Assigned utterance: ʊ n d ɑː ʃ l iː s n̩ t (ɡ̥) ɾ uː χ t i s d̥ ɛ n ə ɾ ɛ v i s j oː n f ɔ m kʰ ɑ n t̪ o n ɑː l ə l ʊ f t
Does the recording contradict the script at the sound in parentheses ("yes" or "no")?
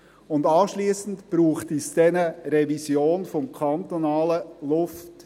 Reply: yes